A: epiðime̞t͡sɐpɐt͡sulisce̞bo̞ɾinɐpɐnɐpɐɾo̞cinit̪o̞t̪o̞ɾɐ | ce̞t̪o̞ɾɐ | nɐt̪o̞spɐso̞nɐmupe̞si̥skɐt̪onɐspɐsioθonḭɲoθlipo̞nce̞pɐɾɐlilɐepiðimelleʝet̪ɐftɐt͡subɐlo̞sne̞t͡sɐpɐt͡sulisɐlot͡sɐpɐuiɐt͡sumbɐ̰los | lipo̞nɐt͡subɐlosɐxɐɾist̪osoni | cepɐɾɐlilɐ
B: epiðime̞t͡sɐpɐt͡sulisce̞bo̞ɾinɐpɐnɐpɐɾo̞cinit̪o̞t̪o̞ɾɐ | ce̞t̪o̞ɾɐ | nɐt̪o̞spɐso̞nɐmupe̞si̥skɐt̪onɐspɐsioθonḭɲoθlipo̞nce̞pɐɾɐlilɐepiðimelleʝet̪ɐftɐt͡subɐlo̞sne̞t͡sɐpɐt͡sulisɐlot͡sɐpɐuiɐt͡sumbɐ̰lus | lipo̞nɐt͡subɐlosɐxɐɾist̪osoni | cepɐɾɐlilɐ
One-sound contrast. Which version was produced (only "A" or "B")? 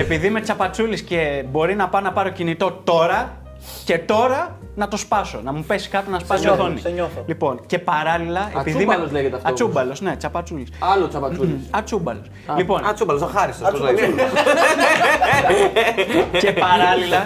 A